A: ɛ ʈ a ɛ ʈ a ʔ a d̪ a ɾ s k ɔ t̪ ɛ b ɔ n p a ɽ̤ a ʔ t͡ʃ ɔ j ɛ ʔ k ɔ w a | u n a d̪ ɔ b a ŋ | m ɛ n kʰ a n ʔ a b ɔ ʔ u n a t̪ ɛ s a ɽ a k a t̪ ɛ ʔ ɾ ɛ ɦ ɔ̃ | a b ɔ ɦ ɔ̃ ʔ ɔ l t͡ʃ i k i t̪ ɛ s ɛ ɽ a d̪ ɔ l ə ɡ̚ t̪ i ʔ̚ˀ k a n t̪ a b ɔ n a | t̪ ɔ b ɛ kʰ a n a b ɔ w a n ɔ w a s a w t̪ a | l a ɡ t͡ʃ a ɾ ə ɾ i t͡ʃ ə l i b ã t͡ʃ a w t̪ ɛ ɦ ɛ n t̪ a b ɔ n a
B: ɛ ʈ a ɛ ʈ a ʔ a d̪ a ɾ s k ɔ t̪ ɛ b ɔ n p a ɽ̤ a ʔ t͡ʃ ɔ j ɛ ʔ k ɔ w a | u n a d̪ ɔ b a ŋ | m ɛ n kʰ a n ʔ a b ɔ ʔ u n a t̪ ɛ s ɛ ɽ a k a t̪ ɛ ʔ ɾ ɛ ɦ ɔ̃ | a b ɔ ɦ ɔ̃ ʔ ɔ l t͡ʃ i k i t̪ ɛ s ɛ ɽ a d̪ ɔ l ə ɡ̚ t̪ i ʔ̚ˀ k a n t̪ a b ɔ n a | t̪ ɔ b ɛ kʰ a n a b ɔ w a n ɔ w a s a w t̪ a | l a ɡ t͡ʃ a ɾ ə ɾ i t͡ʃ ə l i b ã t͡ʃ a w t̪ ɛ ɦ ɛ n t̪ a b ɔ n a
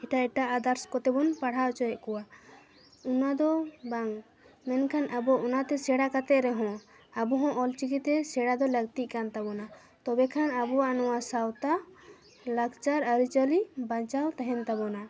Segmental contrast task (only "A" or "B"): B